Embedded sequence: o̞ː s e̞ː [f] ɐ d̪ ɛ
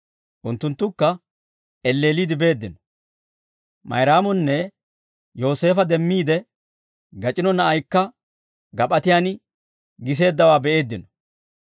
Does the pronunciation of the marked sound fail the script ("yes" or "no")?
no